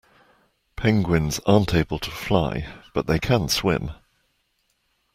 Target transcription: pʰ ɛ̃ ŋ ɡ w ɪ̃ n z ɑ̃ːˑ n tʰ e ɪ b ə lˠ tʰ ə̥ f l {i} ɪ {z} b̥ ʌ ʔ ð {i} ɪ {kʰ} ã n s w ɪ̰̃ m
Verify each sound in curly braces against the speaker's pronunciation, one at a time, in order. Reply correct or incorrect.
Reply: incorrect: a, incorrect: none, incorrect: e, correct

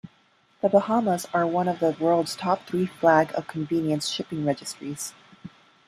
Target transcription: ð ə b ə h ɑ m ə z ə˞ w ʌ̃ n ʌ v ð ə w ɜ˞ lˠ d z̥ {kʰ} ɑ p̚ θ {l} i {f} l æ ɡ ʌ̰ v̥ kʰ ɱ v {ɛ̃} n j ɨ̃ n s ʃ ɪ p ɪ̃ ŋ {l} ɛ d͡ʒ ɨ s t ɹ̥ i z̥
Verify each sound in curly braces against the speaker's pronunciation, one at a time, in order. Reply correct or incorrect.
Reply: incorrect: tʰ, incorrect: ɹ, correct, incorrect: ĩ, incorrect: ɹ

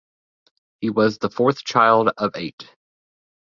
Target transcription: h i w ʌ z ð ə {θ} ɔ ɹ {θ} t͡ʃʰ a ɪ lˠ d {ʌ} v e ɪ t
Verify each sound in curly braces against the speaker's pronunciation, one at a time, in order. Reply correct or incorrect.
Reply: incorrect: f, correct, correct

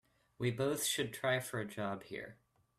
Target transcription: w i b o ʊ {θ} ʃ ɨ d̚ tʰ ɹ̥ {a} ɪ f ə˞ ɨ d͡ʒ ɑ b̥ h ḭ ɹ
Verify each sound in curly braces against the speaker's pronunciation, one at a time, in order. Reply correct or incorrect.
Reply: correct, correct

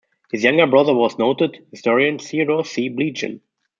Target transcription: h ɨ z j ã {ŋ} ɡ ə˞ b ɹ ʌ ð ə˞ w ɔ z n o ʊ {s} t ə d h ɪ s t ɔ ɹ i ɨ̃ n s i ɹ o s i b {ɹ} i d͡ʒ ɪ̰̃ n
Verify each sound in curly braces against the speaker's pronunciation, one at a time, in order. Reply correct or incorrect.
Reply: correct, incorrect: none, incorrect: l

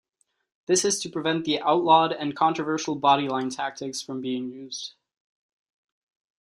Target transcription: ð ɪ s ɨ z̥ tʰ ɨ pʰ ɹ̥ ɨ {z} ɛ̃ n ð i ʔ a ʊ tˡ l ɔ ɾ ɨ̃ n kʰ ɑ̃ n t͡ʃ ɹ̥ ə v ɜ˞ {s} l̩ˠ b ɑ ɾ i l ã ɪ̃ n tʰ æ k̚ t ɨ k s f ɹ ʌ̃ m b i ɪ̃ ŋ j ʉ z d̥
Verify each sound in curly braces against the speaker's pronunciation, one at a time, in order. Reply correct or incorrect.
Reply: incorrect: v, incorrect: ʃ

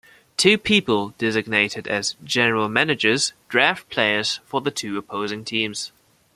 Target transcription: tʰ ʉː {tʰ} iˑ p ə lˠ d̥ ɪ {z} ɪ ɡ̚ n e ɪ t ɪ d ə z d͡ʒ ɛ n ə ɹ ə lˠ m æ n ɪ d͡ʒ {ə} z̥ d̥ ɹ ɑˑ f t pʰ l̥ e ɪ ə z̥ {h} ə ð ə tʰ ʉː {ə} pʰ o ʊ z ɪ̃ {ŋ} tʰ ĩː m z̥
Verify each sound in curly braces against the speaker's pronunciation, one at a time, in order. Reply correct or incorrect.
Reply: incorrect: pʰ, correct, correct, incorrect: f, correct, correct

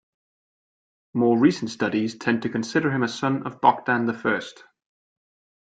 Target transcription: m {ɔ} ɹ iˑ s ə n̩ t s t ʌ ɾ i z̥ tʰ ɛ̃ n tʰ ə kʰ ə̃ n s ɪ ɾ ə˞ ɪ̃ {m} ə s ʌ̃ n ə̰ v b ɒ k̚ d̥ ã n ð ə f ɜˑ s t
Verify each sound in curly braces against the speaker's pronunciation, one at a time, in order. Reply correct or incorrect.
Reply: incorrect: ɔː, correct

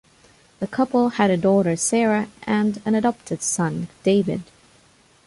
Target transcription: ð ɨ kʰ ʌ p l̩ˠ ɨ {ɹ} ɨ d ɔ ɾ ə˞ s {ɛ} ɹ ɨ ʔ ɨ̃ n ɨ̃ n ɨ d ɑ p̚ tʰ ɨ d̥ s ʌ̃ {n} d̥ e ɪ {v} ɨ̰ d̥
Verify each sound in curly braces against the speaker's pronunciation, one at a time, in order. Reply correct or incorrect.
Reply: incorrect: ɾ, correct, correct, correct

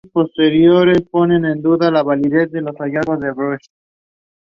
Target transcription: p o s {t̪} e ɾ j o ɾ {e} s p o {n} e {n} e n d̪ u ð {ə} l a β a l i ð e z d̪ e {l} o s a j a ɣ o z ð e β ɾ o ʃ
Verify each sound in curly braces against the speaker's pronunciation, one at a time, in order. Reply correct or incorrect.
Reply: correct, correct, correct, correct, incorrect: a, correct

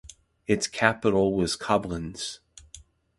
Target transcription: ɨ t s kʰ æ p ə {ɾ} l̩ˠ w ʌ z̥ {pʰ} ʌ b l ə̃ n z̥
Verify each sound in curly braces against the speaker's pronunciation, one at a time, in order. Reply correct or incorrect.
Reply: correct, incorrect: kʰ

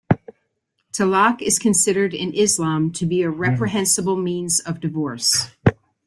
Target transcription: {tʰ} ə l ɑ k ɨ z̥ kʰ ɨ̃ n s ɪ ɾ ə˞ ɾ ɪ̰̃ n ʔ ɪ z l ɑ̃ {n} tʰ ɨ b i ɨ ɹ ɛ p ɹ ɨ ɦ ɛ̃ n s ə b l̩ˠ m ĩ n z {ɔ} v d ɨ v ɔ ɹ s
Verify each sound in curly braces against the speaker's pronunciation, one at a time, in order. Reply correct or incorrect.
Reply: correct, incorrect: m, incorrect: ʌ

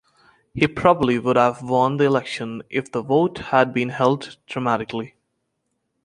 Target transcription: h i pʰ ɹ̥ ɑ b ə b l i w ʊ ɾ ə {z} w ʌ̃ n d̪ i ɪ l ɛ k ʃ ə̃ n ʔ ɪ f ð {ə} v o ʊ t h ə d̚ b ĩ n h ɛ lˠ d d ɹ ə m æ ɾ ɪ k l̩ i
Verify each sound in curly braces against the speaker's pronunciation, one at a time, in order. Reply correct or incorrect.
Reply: incorrect: v, correct

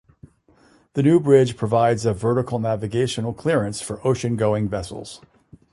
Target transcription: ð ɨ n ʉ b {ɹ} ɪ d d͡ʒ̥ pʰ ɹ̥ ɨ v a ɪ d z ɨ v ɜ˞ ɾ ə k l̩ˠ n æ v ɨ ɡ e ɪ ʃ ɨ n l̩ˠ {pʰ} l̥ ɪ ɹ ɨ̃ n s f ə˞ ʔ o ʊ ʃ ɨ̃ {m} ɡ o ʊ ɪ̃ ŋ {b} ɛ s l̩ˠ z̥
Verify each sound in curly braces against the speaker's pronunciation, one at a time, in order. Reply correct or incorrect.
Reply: correct, incorrect: kʰ, incorrect: n, incorrect: v

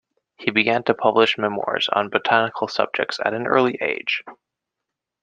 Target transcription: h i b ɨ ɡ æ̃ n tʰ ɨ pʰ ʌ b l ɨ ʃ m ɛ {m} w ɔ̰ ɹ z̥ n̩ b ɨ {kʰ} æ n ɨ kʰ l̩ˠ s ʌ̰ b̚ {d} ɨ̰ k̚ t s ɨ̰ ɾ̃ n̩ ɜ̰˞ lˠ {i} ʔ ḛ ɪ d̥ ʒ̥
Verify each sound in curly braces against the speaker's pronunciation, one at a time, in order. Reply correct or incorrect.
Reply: correct, incorrect: tʰ, incorrect: d͡ʒ, correct

